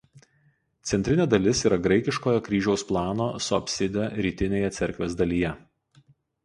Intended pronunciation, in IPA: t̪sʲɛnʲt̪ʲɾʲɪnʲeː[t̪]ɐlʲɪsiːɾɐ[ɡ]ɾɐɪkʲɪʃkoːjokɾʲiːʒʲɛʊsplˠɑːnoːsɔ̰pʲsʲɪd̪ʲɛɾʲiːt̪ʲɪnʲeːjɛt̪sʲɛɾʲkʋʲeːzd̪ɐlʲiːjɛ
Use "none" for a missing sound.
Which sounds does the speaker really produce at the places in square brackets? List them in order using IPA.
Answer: d̪, ɡ

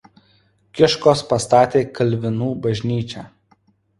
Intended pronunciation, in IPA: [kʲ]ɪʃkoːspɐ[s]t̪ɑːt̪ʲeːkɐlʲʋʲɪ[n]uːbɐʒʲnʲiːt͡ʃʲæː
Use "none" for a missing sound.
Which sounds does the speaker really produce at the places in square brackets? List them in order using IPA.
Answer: kʲ, s, n

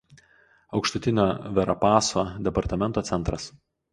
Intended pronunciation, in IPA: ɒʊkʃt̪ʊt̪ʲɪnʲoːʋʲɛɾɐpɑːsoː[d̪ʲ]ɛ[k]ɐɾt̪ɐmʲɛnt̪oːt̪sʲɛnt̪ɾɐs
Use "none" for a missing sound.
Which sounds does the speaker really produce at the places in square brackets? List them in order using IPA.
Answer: d̪ʲ, p

